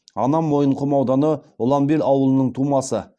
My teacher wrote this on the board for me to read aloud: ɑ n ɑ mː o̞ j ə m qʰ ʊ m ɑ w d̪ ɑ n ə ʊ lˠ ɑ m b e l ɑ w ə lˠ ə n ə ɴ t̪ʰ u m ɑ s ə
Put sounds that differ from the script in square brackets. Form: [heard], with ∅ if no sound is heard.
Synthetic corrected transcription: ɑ n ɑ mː o̞ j ə [ɴ] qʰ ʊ m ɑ w d̪ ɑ n ə ʊ lˠ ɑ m b e l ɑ w ə lˠ ə n ə ɴ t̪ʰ u m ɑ s ə